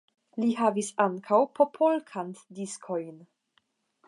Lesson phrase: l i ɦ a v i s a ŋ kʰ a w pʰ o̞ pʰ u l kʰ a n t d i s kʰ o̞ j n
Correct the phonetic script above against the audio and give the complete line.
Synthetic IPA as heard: l i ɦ a v i s a ŋ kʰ a w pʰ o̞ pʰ o l kʰ a n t d i s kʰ o̞ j n